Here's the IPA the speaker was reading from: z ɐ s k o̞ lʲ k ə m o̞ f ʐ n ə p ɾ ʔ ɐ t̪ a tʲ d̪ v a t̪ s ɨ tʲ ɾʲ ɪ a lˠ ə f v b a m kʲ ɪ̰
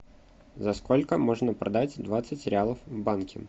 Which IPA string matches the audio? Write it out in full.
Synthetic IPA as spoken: z ɐ s k o̞ lʲ k ə m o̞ ʐ n ə p ɾ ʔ ɐ d̪ a tʲ d̪ v a t̪ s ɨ tʲ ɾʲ ɪ a lˠ ə f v b a n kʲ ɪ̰

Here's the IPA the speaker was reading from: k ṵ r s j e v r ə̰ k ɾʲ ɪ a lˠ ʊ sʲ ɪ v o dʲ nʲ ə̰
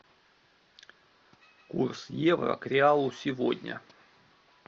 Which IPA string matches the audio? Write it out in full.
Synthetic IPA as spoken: k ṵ r s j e v r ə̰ k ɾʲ ɪ a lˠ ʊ sʲ ɪ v o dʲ nʲ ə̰

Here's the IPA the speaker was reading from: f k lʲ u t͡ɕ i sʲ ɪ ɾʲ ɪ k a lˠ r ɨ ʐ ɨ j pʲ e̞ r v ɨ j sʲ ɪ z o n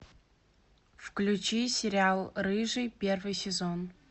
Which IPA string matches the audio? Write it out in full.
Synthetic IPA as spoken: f k lʲ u t͡ɕ i sʲ ɪ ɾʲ ɪ a lˠ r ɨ ʐ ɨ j pʲ e̞ r v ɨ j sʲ ɪ z o n

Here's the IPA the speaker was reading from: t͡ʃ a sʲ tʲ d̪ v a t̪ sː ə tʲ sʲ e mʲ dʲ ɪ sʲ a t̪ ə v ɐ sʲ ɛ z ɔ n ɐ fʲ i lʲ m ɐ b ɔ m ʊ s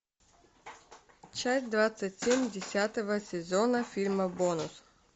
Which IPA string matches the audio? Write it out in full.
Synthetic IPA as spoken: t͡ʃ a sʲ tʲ d̪ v a t̪ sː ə tʲ sʲ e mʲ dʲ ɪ sʲ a t̪ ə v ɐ sʲ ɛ z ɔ n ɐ fʲ i lʲ m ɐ b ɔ n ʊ s

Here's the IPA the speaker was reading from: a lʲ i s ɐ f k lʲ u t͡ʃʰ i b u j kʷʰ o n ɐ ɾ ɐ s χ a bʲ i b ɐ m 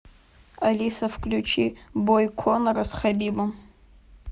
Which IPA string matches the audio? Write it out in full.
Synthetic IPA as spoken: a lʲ i s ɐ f k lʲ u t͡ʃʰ i b o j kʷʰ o n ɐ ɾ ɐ s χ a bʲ i b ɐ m

